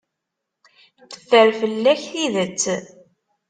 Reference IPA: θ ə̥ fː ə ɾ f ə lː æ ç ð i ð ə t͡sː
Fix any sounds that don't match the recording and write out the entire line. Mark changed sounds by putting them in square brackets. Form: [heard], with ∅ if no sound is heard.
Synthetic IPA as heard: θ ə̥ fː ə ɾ f ə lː æ ç [θ] i ð ə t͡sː